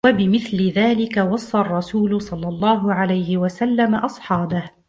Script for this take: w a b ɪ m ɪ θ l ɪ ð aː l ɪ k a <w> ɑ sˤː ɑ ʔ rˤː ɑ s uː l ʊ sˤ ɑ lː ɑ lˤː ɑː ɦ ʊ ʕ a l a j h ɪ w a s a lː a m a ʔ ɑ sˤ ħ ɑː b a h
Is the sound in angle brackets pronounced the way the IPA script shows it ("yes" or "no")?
yes